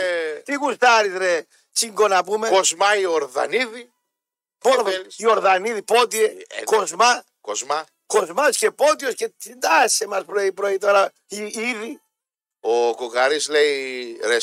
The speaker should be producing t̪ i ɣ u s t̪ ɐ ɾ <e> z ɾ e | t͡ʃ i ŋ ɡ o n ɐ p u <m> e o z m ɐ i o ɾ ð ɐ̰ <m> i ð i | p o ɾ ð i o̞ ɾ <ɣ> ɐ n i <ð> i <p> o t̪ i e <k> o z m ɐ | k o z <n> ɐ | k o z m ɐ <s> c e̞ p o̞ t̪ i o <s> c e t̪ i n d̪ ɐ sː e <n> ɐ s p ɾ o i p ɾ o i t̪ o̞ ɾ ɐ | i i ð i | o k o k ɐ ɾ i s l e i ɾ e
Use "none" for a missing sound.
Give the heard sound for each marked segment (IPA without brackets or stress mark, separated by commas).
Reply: i, m, n, ð, ð, p, k, m, s, s, m